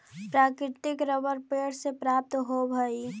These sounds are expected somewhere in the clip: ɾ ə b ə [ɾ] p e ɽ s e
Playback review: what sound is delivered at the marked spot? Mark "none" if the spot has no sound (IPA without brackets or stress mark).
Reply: ɾ